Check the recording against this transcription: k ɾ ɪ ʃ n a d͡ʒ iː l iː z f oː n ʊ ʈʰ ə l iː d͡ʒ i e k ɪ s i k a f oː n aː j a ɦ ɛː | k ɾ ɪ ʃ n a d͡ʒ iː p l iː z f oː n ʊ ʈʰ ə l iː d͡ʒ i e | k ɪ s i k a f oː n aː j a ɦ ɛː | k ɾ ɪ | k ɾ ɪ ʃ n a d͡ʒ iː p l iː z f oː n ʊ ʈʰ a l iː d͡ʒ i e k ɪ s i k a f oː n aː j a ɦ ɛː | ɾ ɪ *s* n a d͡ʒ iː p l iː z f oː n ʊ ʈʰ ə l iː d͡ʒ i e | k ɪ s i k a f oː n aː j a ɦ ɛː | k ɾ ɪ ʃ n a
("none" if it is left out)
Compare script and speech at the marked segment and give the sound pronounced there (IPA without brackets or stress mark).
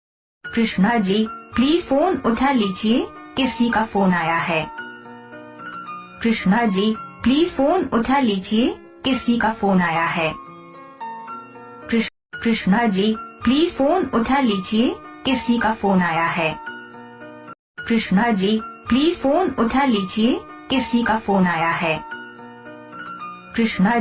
ʃ